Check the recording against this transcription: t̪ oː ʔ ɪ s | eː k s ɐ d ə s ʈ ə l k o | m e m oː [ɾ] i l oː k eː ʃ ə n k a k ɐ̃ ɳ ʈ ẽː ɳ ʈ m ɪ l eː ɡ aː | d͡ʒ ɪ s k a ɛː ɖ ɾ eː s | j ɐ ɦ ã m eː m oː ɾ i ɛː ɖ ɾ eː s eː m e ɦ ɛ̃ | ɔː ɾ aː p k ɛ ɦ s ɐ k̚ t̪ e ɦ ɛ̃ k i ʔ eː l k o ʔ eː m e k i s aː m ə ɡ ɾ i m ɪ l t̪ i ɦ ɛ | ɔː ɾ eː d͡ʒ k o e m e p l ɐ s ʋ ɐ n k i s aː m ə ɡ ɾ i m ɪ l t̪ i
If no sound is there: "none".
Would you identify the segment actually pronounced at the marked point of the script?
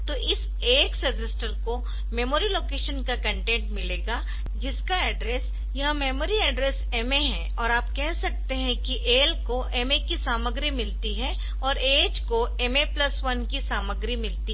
ɾ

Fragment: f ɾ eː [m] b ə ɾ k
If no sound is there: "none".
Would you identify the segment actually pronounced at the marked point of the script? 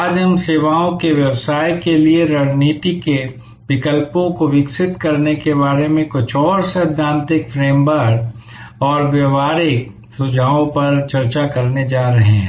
m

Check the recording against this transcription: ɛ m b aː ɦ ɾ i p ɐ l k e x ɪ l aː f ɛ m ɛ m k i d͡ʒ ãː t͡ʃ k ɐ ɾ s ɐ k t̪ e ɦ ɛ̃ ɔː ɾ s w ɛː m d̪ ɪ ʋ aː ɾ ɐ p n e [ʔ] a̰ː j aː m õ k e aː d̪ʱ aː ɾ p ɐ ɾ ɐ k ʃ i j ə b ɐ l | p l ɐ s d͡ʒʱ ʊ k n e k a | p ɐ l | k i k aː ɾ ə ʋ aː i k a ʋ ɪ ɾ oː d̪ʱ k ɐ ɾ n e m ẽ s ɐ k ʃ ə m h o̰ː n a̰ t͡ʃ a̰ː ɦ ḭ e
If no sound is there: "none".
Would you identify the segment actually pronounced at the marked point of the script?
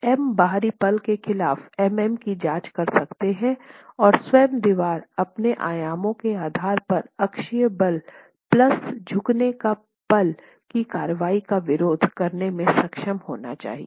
ʔ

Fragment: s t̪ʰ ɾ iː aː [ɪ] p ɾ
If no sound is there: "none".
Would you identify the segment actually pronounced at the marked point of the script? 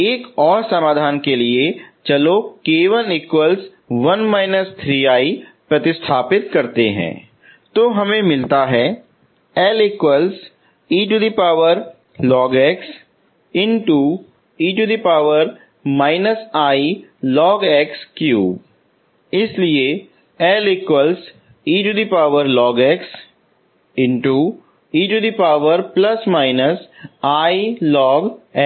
i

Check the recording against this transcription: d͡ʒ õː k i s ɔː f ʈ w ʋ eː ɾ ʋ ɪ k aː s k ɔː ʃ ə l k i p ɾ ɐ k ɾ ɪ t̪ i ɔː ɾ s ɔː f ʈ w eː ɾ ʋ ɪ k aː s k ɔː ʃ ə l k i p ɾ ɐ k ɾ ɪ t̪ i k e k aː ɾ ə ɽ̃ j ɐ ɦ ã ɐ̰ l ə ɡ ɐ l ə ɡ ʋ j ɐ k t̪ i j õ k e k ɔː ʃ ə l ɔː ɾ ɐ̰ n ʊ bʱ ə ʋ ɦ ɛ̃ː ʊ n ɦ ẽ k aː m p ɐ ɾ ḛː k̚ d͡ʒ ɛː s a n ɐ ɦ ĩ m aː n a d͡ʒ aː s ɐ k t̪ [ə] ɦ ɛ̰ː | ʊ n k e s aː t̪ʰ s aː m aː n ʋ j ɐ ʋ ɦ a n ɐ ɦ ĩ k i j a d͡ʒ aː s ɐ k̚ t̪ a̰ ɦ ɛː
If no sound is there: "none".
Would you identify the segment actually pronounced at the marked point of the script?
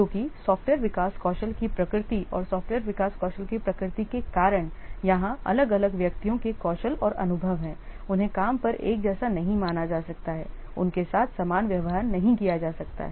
a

